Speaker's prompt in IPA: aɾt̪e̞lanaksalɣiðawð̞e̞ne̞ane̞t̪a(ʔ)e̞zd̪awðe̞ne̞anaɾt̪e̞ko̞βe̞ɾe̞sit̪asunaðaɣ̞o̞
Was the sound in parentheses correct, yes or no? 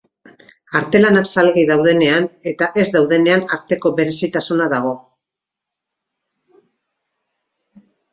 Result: yes